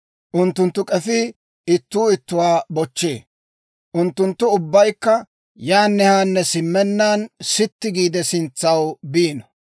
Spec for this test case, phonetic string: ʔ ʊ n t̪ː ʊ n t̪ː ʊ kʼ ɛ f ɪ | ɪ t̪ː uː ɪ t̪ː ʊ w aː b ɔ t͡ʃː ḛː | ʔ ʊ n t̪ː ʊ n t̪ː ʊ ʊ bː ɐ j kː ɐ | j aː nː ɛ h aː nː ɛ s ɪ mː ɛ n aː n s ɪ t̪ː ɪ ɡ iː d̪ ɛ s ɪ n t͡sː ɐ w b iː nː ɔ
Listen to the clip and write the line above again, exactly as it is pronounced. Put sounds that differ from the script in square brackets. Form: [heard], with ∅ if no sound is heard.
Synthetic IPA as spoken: ʔ ʊ n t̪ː ʊ n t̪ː ʊ kʼ ɛ f ɪ | ɪ t̪ː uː ɪ t̪ː ʊ w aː b ɔ t͡ʃː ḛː | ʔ ʊ n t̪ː ʊ n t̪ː ʊ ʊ bː ɐ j kː ɐ | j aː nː ɛ h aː nː ɛ s ɪ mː ɛ [nː] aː n s ɪ t̪ː ɪ ɡ iː d̪ ɛ s ɪ n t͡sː ɐ w b iː [n] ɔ